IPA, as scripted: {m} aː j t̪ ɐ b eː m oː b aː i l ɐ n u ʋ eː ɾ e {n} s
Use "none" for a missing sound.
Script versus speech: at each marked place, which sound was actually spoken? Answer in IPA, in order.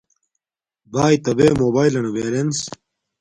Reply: b, n

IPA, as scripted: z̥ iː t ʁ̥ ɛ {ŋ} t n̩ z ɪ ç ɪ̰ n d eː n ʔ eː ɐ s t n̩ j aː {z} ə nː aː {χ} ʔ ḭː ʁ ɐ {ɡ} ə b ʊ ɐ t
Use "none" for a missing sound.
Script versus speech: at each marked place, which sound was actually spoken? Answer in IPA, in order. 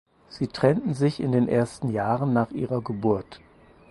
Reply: n, ʁ, χ, ɡ

